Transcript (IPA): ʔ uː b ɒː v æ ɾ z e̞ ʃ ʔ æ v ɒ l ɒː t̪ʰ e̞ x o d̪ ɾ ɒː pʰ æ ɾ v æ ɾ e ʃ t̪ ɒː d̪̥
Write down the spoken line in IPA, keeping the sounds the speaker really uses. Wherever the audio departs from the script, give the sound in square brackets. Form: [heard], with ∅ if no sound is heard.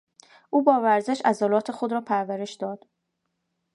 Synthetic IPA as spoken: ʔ uː b ɒː v æ ɾ z e̞ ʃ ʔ æ [z] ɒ l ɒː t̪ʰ e̞ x o d̪ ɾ ɒː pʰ æ ɾ v æ ɾ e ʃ [d̪] ɒː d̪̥